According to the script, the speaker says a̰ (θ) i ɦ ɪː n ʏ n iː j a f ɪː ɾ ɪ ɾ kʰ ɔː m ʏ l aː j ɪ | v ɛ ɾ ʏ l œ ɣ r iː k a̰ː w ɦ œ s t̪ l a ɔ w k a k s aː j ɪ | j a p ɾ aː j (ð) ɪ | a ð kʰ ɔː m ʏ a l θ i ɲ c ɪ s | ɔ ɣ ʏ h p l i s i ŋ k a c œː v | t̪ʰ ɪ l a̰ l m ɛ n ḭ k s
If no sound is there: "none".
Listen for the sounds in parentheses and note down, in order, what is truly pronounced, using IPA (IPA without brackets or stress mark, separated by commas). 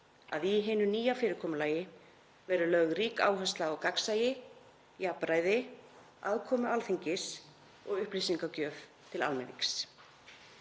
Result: ð, ð